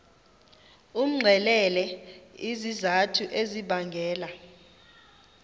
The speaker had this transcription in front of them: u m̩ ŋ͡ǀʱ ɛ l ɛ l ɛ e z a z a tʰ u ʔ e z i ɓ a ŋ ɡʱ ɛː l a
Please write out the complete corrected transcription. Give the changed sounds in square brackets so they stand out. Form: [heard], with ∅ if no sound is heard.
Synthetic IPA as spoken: u m̩ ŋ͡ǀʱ ɛ l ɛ l ɛ [i] z [i] z a tʰ u ʔ e z i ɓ a ŋ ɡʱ ɛː l a